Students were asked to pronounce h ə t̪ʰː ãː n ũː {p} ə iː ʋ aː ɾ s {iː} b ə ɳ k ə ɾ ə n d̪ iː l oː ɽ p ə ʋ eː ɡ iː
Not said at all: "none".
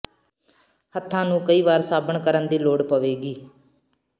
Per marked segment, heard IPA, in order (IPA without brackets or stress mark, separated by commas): k, aː